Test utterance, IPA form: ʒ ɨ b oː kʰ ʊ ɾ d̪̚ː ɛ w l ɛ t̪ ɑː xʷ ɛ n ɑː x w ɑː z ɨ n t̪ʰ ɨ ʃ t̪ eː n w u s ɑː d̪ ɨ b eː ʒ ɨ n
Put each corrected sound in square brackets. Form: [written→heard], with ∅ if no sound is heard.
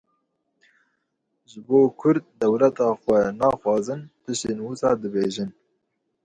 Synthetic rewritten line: ʒ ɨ b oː kʰ ʊ ɾ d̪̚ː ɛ w l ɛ t̪ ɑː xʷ ɛ n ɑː x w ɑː z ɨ n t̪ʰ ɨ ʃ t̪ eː n w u s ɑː d̪ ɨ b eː ʒ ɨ n